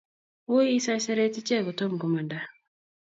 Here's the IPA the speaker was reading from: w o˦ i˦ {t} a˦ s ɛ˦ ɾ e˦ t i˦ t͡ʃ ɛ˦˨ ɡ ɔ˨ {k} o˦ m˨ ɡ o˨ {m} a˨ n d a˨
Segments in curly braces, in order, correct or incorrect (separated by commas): incorrect, incorrect, correct